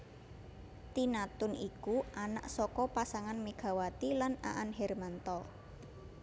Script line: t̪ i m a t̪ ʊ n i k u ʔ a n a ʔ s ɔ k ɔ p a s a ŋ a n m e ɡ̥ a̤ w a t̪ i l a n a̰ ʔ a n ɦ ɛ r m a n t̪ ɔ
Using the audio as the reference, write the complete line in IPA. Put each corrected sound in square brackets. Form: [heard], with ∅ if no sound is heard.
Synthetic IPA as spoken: t̪ i [n] a t̪ ʊ n i k u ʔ a n a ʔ s ɔ k ɔ p a s a ŋ a n m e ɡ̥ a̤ w a t̪ i l a n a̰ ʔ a n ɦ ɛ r m a n t̪ ɔ